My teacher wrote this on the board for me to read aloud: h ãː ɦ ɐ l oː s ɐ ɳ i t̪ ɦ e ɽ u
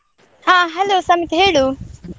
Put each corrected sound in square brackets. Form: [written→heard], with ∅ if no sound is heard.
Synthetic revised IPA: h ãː ɦ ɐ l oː s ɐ [ɳ→m] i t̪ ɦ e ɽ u